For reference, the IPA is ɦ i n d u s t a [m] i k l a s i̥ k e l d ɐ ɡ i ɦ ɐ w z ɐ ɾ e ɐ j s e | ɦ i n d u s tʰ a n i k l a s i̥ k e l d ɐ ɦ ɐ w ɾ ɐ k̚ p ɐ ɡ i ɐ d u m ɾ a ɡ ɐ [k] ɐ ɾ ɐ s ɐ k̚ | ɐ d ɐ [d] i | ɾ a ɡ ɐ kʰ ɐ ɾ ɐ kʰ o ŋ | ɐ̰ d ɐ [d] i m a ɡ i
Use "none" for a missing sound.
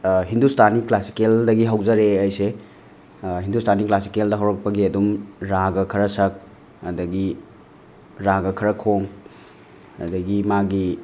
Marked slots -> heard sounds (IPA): n, kʰ, ɡ, ɡ

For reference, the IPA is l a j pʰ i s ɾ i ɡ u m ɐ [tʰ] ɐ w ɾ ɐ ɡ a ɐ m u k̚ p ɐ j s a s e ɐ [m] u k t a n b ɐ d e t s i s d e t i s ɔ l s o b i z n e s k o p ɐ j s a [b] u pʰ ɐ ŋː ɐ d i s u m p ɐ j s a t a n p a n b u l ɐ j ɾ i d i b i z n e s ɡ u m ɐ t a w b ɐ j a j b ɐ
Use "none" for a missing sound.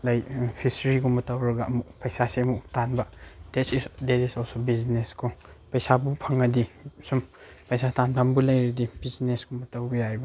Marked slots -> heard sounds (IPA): t, m, b

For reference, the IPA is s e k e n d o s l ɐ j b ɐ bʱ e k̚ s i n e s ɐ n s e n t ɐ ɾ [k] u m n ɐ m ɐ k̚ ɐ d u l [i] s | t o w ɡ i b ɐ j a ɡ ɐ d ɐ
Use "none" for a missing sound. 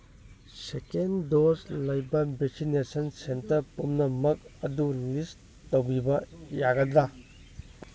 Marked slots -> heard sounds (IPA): p, i

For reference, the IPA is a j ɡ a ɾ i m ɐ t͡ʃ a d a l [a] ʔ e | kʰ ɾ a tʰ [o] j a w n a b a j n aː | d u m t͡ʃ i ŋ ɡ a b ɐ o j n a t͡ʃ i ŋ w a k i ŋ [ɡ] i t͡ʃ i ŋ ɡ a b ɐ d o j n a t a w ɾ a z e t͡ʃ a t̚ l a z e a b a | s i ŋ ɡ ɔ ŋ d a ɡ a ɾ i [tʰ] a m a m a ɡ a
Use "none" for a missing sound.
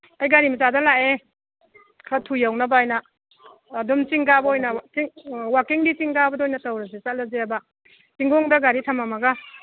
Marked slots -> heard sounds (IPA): a, u, d, tʰ

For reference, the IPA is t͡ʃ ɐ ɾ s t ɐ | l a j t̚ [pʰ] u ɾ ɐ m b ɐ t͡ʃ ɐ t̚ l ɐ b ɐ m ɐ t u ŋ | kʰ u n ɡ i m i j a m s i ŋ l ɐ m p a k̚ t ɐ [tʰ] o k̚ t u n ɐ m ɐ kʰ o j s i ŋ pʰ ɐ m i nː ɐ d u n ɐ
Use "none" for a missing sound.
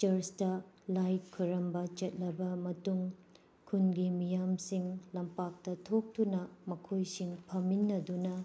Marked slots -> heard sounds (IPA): kʰ, tʰ

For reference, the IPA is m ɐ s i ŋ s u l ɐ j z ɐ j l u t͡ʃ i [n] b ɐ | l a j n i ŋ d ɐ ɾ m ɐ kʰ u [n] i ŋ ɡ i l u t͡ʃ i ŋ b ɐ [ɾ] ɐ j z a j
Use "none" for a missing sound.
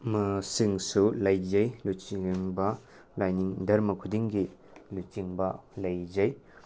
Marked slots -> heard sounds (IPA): ŋ, d, l

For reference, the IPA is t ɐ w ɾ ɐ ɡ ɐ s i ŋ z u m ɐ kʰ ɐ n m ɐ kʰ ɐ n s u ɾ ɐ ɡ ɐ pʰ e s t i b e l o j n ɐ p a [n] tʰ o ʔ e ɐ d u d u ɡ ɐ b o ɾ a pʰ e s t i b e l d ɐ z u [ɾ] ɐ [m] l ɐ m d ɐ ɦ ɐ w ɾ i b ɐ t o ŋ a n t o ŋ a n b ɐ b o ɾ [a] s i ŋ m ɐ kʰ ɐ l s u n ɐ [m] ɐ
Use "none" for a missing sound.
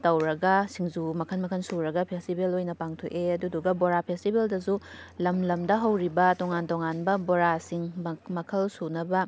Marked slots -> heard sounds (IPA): ŋ, l, m, a, b

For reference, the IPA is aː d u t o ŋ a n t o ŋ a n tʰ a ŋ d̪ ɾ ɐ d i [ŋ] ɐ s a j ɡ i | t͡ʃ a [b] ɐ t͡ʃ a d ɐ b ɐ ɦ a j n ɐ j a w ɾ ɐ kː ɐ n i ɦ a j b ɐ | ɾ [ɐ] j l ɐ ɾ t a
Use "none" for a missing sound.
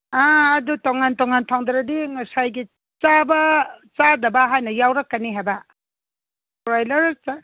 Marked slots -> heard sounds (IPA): ŋ, b, a

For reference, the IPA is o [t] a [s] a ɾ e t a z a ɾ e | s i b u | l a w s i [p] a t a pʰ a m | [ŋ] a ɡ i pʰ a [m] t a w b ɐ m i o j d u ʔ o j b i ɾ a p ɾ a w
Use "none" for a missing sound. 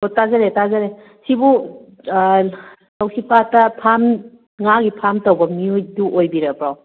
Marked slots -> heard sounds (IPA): t, z, p, ŋ, m

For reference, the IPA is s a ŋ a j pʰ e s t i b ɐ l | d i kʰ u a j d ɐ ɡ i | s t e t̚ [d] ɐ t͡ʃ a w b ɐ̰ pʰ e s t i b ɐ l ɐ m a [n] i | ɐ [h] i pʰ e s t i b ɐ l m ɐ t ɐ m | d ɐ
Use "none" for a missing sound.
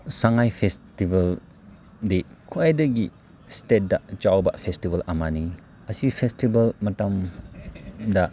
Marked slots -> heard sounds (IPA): d, n, s

